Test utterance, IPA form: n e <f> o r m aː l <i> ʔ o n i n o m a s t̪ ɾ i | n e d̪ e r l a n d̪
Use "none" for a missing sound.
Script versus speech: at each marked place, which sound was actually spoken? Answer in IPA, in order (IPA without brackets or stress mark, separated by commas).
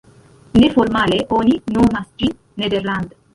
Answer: f, e